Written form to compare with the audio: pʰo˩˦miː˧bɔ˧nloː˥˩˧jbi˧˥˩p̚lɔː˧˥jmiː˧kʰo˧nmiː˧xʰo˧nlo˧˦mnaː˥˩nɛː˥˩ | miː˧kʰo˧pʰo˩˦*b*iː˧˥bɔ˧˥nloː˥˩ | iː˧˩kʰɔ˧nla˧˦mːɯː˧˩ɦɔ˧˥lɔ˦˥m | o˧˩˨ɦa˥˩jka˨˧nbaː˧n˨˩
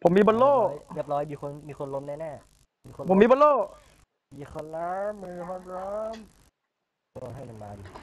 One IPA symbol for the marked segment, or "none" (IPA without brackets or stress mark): m